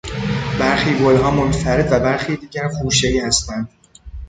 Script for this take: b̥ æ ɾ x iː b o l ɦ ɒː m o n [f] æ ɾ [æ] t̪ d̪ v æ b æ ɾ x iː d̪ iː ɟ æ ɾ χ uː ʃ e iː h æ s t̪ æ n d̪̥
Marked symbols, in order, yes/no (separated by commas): yes, no